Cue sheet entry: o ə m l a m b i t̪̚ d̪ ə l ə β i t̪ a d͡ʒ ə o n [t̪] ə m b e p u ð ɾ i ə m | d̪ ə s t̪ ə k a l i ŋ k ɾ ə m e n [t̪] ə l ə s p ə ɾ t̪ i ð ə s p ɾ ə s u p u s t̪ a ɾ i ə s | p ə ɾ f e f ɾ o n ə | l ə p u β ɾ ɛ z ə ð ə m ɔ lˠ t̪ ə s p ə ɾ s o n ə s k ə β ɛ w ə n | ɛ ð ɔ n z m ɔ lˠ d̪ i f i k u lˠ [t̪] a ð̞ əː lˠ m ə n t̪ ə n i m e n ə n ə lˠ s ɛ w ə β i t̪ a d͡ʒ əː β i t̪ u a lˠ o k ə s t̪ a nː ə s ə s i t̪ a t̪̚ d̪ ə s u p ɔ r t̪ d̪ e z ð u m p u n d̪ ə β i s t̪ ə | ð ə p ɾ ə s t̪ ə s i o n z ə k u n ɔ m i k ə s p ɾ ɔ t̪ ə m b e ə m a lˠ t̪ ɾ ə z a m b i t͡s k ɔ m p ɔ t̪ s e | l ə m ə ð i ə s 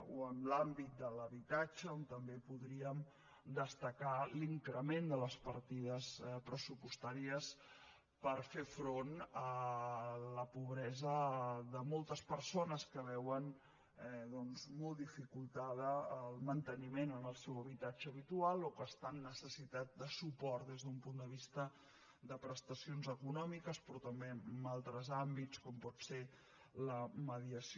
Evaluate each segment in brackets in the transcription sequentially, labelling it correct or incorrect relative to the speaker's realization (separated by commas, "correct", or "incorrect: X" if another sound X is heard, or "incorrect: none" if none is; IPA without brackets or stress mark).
correct, incorrect: d̪, correct